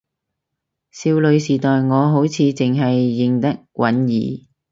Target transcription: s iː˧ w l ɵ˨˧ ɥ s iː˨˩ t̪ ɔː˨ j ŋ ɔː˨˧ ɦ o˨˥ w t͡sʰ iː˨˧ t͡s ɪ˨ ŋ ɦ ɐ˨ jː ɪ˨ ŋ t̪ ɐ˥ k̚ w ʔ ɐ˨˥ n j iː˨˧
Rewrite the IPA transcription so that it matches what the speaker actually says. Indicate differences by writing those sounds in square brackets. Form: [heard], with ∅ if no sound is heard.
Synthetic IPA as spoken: s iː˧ w l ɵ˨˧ ɥ s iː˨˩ t̪ ɔː˨ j ŋ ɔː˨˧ ɦ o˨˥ w t͡sʰ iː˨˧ t͡s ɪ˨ ŋ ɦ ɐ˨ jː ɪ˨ ŋ t̪ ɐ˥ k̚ w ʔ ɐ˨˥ n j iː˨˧

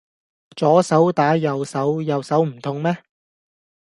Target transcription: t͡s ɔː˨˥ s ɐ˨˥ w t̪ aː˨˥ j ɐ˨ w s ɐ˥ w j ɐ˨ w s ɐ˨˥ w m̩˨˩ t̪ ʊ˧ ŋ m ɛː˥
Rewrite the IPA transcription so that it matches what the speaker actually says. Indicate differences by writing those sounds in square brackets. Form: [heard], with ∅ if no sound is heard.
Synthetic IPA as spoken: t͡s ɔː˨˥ s ɐ˨˥ w t̪ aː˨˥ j ɐ˨ w s [ɐ˨˥] w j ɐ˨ w s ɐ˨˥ w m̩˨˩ [t̪ʰ] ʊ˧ ŋ m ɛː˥

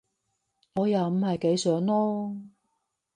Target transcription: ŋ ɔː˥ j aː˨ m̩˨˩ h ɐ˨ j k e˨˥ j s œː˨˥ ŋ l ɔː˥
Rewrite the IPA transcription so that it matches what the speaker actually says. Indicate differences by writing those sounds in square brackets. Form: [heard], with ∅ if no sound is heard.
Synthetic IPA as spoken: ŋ [ɔː˨˧] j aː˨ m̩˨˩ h ɐ˨ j k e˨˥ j s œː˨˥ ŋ l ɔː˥

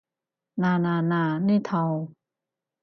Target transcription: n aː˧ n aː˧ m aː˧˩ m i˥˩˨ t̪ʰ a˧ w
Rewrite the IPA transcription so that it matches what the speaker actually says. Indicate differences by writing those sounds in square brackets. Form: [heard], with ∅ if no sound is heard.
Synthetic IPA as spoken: n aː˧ n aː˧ [n] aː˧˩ [n] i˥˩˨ t̪ʰ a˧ w

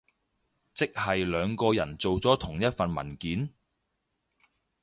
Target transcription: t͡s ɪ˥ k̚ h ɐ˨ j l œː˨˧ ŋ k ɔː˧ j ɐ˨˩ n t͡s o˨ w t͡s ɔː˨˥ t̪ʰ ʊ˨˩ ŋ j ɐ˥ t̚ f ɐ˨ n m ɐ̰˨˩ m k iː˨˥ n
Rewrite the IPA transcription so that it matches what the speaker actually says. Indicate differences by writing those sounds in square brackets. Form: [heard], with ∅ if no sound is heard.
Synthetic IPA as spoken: t͡s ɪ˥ k̚ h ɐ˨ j l œː˨˧ ŋ k ɔː˧ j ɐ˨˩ n t͡s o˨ w t͡s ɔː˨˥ t̪ʰ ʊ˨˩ ŋ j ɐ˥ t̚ f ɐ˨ n m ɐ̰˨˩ [n] k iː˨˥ n

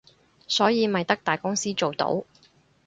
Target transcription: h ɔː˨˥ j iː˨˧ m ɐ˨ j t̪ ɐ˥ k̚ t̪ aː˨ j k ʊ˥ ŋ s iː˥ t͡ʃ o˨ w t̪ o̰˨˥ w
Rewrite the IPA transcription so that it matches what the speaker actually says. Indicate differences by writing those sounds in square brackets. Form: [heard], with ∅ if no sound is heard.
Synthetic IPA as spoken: [s] ɔː˨˥ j iː˨˧ m ɐ˨ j t̪ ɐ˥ k̚ t̪ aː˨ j k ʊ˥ ŋ s iː˥ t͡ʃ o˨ w t̪ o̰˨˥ w

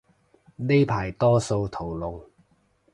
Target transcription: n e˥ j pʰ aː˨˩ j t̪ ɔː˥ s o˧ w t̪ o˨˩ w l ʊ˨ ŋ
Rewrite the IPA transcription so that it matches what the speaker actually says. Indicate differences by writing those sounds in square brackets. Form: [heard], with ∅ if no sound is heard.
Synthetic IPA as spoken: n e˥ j pʰ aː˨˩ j t̪ ɔː˥ s o˧ w [t̪ʰ] o˨˩ w l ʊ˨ ŋ

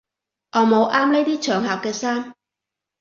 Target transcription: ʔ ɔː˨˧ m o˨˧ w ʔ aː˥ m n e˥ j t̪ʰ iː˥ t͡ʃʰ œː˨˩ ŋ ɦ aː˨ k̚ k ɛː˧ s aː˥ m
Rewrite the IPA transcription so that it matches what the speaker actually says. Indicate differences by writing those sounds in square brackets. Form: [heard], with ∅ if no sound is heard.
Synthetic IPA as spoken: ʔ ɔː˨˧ m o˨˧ w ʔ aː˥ m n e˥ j [t̪] iː˥ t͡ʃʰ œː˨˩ ŋ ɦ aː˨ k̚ k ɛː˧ s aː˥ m

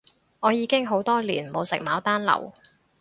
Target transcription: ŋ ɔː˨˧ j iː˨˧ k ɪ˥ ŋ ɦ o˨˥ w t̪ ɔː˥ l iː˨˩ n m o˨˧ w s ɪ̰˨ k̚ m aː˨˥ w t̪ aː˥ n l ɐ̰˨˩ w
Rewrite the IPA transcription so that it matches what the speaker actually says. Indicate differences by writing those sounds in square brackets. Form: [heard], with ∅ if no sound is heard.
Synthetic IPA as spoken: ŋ ɔː˨˧ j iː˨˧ k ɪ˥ ŋ ɦ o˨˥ w t̪ ɔː˥ l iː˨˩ n m o˨˧ w s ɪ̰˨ k̚ m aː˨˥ w t̪ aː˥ n l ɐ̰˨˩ w

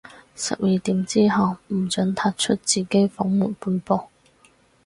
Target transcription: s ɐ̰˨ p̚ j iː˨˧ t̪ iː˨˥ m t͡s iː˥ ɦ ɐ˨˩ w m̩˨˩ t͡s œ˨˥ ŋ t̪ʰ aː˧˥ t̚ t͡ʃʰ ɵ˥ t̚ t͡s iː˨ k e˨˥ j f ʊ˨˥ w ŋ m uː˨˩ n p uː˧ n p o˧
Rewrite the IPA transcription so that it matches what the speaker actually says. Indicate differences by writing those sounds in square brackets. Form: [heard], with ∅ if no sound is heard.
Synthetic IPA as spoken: s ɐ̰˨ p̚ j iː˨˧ t̪ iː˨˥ m t͡s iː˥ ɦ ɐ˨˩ w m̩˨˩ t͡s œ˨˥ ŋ t̪ʰ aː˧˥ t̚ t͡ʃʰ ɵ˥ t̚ t͡s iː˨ k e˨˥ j f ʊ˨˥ [∅] ŋ m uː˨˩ n p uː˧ n p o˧

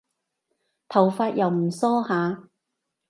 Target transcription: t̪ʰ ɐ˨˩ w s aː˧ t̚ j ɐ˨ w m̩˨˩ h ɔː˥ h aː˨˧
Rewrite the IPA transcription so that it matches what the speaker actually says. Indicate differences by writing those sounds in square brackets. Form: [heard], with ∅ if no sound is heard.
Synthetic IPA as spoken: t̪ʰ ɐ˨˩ w [f] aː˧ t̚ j ɐ˨ w m̩˨˩ [s] ɔː˥ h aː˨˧

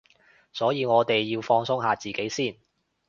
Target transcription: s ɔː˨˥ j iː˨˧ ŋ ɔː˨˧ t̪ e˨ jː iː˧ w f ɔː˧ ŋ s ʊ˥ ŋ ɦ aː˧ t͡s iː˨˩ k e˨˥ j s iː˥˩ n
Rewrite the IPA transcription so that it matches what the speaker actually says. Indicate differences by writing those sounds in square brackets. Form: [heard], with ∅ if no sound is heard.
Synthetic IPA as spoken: s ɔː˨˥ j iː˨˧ ŋ ɔː˨˧ t̪ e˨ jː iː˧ w f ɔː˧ ŋ s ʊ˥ ŋ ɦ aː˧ t͡s iː˨˩ k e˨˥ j s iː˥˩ n

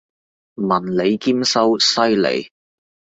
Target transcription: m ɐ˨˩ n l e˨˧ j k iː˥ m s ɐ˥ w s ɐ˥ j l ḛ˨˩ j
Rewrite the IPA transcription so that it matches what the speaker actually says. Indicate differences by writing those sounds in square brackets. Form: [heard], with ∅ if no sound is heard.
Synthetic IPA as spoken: m ɐ˨˩ n l e˨˧ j k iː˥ m s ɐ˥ w s ɐ˥ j l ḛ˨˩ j

